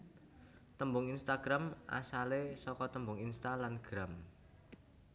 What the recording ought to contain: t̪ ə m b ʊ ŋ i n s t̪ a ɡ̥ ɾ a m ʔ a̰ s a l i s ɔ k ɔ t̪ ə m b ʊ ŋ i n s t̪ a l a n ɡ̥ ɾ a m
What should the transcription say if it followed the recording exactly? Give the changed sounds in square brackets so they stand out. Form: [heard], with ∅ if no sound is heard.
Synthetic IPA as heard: t̪ ə m b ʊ ŋ i n s t̪ a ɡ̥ ɾ a m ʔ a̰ s a l [e] s ɔ k ɔ t̪ ə m b ʊ ŋ i n s t̪ a l a n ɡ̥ ɾ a m